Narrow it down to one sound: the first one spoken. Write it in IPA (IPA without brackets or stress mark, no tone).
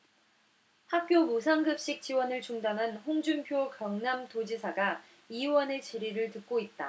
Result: h